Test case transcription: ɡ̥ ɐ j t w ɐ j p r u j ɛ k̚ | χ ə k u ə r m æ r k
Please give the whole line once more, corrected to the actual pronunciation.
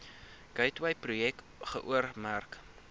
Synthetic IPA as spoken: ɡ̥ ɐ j t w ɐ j p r u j ɛ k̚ | χ ə ʔ u ə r m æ r k